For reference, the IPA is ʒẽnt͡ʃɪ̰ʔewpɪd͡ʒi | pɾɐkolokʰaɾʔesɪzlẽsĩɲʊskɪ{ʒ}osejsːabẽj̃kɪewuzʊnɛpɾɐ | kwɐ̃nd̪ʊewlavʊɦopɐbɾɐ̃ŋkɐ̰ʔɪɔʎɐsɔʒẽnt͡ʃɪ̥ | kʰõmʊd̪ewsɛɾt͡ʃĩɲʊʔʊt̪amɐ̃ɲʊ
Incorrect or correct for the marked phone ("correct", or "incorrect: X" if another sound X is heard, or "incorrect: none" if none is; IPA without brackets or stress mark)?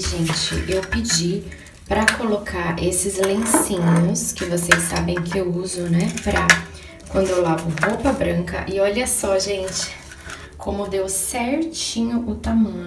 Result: incorrect: v